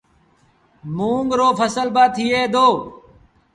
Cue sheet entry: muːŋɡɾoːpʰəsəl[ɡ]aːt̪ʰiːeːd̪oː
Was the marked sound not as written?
yes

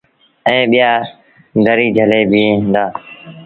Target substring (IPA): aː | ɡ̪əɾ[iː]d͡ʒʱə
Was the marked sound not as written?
no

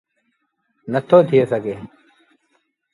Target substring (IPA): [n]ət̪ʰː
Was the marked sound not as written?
no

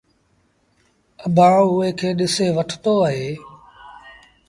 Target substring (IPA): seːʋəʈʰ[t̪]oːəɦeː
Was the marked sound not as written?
no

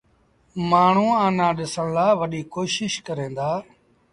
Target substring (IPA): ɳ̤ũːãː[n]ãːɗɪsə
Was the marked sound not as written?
no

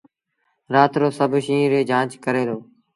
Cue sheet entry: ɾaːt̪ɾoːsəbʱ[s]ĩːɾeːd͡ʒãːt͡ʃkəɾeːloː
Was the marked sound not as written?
yes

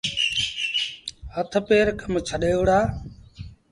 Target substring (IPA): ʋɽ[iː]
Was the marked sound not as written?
yes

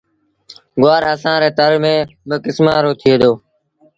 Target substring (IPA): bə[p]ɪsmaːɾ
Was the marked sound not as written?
yes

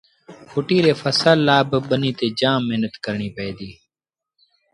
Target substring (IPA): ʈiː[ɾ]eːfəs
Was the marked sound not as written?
no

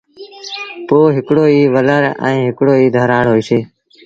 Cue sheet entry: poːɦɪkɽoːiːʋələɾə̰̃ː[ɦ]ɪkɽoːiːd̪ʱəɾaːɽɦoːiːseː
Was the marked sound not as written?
no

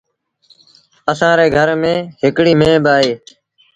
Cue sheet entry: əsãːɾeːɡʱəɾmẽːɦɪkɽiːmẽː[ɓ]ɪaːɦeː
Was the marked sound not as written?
yes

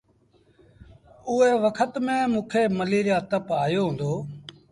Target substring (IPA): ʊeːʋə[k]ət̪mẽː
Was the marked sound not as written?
yes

